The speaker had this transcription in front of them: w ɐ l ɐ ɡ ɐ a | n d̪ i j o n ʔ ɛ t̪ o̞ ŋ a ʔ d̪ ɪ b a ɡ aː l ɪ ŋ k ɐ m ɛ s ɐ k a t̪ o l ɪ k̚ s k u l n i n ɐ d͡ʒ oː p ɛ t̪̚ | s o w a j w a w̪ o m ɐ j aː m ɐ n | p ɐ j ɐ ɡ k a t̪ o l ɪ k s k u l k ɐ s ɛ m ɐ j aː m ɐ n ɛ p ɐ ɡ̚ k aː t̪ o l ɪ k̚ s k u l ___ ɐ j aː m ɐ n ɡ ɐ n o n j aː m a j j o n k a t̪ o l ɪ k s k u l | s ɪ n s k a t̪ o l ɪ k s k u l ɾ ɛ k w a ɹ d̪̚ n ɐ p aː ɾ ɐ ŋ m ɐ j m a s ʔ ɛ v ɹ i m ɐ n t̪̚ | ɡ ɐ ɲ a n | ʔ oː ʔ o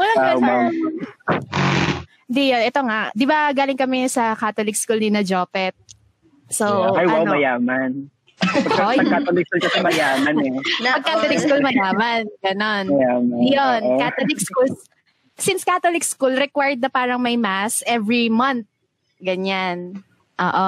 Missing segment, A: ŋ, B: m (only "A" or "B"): B